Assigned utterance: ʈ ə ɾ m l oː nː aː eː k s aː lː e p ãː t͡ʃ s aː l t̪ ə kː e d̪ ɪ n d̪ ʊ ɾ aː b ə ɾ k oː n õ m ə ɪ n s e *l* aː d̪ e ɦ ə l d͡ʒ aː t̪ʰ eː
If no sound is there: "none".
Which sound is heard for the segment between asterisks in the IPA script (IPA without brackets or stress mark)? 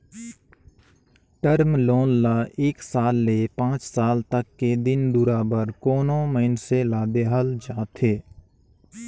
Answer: l